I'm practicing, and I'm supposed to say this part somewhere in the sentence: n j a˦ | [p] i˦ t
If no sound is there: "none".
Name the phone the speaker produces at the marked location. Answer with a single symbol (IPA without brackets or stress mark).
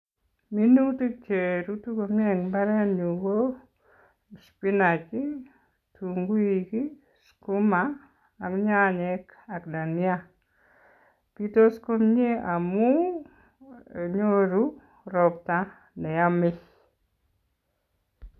p